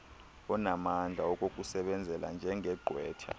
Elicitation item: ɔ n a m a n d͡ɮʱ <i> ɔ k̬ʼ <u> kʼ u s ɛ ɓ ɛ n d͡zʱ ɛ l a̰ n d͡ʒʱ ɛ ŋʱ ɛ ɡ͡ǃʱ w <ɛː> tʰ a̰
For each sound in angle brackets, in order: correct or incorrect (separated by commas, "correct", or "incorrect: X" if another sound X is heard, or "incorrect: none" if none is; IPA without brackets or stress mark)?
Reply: incorrect: a, incorrect: o, correct